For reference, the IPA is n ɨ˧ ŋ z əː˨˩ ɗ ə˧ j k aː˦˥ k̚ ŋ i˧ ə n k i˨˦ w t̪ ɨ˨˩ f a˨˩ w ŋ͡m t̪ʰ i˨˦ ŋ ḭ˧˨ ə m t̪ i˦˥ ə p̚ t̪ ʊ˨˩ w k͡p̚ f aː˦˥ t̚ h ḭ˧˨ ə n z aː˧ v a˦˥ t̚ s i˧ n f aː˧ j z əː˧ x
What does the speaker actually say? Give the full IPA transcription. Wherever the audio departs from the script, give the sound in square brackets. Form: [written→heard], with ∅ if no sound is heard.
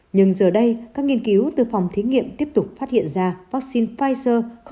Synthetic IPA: [n→ɲ] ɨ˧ ŋ z əː˨˩ ɗ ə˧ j k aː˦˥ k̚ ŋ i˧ ə n k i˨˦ w t̪ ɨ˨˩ f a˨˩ w ŋ͡m t̪ʰ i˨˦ ŋ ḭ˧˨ ə m t̪ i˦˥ ə p̚ t̪ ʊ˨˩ [w→∅] k͡p̚ f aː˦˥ t̚ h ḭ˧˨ ə n z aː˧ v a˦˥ [t̚→k̚] s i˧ n f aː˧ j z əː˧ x